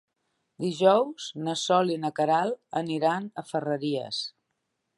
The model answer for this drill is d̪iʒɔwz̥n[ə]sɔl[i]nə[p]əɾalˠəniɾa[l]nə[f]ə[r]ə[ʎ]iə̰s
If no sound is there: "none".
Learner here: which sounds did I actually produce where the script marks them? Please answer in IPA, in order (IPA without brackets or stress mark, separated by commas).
ə, i, k, none, f, r, ɾ